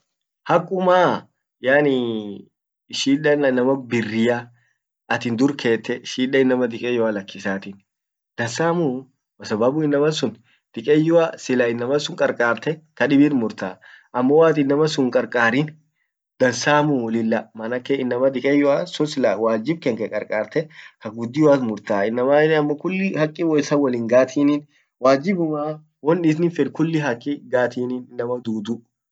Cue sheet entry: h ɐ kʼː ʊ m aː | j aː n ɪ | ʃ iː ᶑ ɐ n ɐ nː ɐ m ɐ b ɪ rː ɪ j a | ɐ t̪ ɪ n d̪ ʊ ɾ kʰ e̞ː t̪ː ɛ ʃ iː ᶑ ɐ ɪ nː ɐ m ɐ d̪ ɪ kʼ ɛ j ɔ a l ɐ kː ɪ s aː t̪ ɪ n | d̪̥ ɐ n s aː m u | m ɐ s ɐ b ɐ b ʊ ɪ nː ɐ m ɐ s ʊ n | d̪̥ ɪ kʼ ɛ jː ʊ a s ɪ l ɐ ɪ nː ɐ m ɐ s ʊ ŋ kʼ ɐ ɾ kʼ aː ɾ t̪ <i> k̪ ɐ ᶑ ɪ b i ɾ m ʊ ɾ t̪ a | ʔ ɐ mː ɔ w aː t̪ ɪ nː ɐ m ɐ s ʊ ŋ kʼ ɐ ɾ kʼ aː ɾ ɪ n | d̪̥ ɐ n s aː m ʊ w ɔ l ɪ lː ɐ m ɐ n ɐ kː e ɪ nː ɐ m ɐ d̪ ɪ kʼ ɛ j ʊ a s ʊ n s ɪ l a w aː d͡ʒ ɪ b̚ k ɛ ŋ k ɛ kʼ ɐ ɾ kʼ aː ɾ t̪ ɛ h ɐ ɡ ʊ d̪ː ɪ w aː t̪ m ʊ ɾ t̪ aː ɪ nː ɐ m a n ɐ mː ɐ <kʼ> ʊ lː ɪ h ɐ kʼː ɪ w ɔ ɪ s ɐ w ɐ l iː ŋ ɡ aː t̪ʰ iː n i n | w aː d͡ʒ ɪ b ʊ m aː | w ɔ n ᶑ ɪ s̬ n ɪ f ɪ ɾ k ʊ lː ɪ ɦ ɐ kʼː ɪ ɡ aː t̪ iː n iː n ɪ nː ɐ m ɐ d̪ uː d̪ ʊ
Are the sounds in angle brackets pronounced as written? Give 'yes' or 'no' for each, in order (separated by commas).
no, no